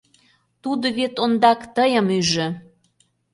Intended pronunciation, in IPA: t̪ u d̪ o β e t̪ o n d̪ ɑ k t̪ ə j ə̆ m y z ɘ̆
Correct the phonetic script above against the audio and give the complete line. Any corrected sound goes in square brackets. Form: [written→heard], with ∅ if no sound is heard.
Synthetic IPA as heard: t̪ u d̪ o β e t̪ o n d̪ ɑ k t̪ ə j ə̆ m y [z→ʒ] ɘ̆